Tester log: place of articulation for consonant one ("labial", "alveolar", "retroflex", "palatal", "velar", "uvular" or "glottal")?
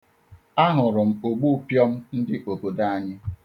glottal